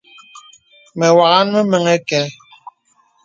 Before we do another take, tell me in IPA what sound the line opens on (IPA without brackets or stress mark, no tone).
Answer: m